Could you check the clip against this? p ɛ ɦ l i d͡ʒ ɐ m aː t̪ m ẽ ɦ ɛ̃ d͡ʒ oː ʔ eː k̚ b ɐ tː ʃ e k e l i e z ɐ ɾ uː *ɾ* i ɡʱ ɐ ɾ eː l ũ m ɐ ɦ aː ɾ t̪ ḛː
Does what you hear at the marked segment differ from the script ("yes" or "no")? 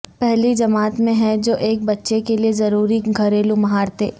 no